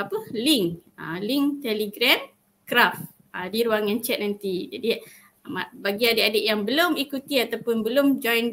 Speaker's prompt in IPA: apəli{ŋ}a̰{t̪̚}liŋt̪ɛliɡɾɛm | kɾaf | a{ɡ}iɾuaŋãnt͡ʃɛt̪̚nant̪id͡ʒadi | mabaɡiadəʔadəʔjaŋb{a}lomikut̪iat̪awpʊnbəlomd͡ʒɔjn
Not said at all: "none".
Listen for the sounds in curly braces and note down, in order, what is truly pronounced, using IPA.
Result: ŋ, none, d, ə

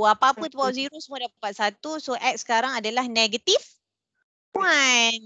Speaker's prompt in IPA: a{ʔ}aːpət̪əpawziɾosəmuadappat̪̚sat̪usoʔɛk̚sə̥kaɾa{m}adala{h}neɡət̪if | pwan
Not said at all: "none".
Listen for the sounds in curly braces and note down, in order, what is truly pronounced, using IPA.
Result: p, ŋ, h

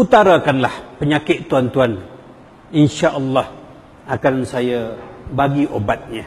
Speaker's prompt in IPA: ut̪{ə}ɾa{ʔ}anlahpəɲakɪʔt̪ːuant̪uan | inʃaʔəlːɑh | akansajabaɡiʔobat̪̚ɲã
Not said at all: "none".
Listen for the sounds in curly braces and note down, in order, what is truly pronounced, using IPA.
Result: a, k

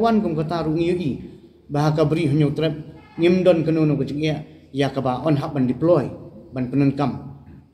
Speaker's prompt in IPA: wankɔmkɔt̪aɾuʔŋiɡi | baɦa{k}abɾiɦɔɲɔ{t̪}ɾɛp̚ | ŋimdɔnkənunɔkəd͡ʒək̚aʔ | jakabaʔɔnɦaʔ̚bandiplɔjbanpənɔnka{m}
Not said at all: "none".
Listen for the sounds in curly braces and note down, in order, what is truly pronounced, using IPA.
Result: k, t̪, m

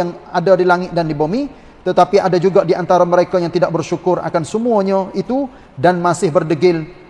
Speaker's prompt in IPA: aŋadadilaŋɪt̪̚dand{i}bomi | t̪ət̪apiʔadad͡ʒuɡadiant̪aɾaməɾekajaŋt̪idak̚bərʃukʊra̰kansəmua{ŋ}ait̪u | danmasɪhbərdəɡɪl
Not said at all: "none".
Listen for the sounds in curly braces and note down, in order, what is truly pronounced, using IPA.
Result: i, ɲ

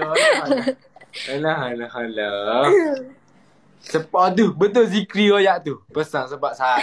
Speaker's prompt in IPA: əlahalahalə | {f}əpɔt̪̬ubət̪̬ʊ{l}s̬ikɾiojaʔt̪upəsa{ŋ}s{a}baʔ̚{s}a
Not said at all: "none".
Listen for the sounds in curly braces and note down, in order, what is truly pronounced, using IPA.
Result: s, l, ŋ, ə, s

